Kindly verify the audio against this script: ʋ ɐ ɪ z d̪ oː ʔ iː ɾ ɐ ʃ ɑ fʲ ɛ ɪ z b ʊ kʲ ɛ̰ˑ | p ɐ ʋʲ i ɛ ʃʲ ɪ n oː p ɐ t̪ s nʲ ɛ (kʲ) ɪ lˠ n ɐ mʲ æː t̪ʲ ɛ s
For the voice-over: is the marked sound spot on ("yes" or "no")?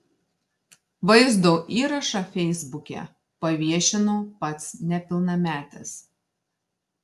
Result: no